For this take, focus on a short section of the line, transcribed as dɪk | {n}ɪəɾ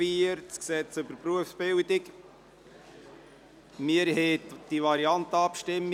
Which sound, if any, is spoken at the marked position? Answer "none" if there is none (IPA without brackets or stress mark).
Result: m